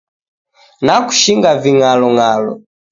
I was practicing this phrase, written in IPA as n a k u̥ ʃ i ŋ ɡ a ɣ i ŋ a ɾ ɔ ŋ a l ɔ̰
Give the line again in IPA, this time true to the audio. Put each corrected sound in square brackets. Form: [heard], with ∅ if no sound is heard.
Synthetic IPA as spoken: n a k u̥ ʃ i ŋ ɡ a [v] i ŋ a [l] ɔ ŋ a l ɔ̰

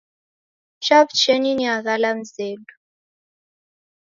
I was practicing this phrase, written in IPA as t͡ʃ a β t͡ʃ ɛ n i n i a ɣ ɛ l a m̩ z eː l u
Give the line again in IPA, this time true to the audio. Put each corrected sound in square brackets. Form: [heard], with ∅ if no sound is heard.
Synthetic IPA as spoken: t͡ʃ a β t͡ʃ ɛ n i n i a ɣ [a] l a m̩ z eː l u

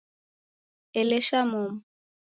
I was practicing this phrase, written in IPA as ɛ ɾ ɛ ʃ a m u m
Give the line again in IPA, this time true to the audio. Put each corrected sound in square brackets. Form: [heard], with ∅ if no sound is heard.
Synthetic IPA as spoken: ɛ [l] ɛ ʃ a m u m

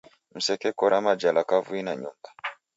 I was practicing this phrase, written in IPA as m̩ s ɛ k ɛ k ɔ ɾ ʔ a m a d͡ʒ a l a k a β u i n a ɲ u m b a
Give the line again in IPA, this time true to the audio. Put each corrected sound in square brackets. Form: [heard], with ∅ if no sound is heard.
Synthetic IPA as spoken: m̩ s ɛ k ɛ k ɔ ɾ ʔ a m a d͡ʒ a l a k a [v] u i n a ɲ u m b a

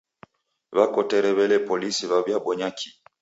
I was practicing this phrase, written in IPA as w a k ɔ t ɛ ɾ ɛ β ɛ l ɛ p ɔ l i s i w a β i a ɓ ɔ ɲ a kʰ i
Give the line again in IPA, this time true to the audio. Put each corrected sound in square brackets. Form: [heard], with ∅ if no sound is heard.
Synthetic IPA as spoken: [β] a k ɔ t ɛ ɾ ɛ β ɛ l ɛ p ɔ l i s i [β] a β [j] a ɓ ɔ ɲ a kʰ i

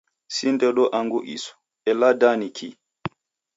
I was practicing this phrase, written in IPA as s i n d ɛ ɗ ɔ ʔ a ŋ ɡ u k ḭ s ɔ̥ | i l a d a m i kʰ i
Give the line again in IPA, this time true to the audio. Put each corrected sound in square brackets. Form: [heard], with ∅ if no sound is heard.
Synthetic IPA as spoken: s i n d ɛ ɗ ɔ ʔ a ŋ ɡ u [ʔ] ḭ s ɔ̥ | [ɛ] l a d a [n] i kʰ i

